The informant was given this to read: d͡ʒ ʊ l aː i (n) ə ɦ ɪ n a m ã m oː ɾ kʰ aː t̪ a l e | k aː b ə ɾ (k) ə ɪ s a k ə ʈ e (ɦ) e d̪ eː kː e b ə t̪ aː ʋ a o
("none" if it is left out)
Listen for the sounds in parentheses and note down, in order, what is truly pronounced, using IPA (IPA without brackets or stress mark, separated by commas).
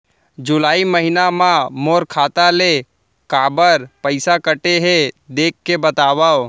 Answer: m, p, ɦ